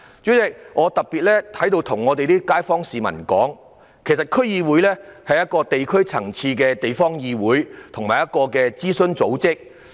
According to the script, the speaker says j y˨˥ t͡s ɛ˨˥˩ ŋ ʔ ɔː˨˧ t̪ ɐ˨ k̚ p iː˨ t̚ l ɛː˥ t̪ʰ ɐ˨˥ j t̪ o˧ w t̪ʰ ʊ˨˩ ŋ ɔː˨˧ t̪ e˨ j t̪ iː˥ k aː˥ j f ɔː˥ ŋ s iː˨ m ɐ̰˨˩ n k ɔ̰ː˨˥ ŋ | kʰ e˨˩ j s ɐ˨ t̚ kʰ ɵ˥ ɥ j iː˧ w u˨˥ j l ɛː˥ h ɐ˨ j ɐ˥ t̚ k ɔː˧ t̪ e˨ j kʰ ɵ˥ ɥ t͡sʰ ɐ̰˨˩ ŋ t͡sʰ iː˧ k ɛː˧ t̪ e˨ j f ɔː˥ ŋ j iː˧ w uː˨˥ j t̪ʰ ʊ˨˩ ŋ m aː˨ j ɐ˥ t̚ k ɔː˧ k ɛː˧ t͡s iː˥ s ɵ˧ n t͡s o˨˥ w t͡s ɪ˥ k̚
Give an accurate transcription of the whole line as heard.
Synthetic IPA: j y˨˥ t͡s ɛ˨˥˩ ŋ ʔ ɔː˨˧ t̪ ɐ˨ k̚ p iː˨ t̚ l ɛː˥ t̪ʰ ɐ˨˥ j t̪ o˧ w t̪ʰ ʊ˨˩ ŋ ɔː˨˧ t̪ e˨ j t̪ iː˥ k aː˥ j f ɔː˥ ŋ s iː˨ m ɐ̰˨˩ n k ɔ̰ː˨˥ ŋ | kʰ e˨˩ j s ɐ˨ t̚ kʰ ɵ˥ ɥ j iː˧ w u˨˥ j l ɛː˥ h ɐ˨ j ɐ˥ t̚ k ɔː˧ t̪ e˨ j kʰ ɵ˥ ɥ t͡sʰ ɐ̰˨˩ ŋ t͡sʰ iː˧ k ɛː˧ t̪ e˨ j f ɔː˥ ŋ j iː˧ w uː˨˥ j t̪ʰ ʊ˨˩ ŋ m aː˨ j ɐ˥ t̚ k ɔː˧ k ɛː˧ t͡s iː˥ s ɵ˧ n t͡s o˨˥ w t͡s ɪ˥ k̚